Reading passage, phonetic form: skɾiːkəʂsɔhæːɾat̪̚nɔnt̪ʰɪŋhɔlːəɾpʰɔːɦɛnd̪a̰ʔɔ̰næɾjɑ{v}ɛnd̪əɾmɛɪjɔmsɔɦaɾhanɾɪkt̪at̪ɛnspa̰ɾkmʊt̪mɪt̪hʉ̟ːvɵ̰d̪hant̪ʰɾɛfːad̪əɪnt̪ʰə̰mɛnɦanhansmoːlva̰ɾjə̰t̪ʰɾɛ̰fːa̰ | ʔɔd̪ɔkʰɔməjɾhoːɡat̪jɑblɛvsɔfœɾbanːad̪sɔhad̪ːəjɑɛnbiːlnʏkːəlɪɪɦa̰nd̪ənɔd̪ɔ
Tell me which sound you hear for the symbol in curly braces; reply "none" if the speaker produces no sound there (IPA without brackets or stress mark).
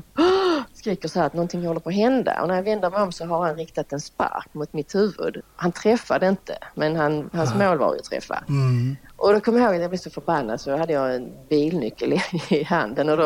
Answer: v